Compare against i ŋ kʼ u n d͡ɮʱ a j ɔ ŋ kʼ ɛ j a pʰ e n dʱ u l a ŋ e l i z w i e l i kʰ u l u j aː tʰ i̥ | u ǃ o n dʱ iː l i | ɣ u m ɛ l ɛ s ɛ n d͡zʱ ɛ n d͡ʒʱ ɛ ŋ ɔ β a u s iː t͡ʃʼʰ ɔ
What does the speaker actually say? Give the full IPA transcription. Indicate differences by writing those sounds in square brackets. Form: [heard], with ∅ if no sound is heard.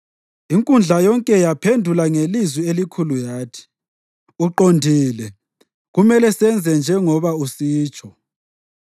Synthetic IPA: i ŋ kʼ u n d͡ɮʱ a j ɔ ŋ kʼ ɛ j a pʰ e n dʱ u l a ŋ e l i z w i e l i kʰ u l u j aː tʰ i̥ | u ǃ o n dʱ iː l [ɛ] | ɣ u m ɛ l ɛ s ɛ n d͡zʱ ɛ n d͡ʒʱ ɛ ŋ ɔ β a u s iː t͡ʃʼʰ ɔ